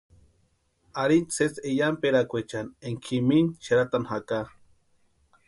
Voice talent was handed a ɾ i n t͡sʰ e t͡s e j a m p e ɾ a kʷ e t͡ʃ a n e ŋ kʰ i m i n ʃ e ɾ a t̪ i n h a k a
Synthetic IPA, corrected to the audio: a ɾ i n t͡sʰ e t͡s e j a m p e ɾ a kʷ e t͡ʃ a n e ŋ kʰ i m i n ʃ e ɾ a t̪ a n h a k a

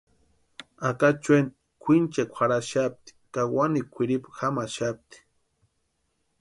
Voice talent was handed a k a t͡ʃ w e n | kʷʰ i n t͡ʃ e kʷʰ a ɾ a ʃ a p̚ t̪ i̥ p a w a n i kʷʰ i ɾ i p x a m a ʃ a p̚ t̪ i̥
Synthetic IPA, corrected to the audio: a k a t͡ʃ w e n | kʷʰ i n t͡ʃ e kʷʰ a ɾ a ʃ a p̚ t̪ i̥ k a w a n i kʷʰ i ɾ i p x a m a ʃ a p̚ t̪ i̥

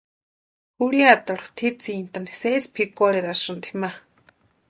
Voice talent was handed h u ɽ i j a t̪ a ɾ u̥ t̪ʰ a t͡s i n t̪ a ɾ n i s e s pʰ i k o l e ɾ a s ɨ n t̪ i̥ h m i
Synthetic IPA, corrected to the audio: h u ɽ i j a t̪ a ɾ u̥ t̪ʰ i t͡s i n t̪ a n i s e s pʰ i k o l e ɾ a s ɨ n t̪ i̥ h m a

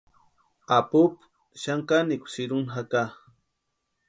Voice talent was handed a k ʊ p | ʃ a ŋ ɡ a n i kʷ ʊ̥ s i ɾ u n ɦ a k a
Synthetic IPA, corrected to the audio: a p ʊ p | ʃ a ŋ k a n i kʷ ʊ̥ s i ɾ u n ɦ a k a

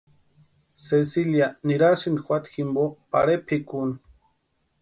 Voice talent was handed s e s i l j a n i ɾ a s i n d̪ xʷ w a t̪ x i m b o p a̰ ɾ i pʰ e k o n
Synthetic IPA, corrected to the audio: s e s i l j a n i ɾ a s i n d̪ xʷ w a t̪ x i m b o p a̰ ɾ e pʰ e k u n

